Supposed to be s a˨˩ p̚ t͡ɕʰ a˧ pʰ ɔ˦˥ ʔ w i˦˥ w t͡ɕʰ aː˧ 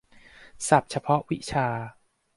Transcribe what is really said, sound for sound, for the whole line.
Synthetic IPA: s a˨˩ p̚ t͡ɕʰ a˧ pʰ ɔ˦˥ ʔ w i˦˥ t͡ɕʰ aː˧